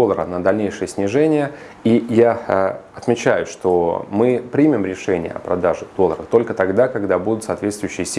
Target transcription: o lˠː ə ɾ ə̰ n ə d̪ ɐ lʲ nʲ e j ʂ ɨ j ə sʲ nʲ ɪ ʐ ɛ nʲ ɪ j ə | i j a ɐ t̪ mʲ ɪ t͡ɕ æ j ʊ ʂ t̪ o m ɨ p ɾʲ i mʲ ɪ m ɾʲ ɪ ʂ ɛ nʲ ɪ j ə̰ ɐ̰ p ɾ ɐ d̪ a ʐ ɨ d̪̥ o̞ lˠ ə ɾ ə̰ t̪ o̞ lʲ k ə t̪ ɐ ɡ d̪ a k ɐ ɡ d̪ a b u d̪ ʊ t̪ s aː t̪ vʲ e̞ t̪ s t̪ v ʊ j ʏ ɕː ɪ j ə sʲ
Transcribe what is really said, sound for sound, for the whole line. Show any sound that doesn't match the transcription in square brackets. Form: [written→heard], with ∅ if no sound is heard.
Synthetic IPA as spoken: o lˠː ə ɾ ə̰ n ə d̪ ɐ lʲ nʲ e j ʂ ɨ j ə sʲ nʲ ɪ ʐ ɛ nʲ ɪ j ə | i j a ɐ t̪ mʲ ɪ t͡ɕ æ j ʊ ʂ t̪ o m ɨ p ɾʲ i mʲ ɪ m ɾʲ ɪ ʂ ɛ nʲ ɪ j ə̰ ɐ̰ p ɾ ɐ d̪ a ʐ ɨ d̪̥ o̞ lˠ ə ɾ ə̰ t̪ o̞ lʲ k ə t̪ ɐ ɡ d̪ a k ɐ ɡ d̪ a b u d̪ ʊ t̪ s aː t̪ vʲ e̞ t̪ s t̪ v ʊ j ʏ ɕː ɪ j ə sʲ